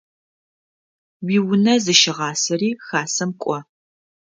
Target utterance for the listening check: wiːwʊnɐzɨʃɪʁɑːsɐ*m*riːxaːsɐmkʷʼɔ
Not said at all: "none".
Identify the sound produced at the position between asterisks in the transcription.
none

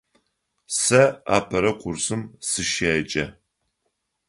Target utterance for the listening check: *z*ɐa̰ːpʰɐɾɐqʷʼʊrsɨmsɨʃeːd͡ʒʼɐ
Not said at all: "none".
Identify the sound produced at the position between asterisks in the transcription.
s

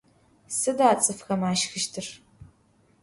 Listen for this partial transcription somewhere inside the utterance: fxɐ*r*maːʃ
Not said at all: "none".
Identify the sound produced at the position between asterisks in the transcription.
none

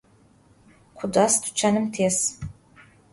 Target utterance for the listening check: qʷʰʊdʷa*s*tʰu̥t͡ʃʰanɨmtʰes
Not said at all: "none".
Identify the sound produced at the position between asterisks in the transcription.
s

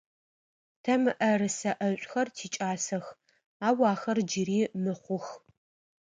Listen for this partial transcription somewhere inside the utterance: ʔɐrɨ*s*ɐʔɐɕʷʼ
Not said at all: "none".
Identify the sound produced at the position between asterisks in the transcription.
s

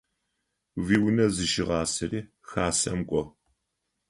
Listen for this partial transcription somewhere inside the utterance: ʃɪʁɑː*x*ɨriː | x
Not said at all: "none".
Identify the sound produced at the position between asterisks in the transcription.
s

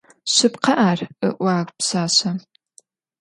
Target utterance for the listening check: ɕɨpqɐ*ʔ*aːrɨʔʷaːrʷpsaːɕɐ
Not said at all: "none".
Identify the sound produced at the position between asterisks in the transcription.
ʔ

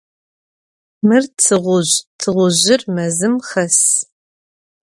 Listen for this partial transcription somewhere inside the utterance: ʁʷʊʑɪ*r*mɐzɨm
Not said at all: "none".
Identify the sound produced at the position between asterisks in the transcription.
r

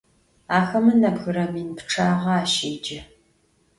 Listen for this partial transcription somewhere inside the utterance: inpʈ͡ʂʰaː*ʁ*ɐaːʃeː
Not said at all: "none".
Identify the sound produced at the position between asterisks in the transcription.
ʁ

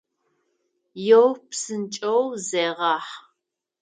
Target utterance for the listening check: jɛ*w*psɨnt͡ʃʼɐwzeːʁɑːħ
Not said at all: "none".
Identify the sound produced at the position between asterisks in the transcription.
w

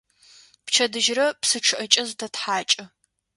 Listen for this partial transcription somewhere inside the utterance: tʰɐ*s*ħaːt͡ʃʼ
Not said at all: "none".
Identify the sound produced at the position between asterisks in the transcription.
t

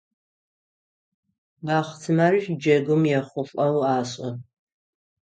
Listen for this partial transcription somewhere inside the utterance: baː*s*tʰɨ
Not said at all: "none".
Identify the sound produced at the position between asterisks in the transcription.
χ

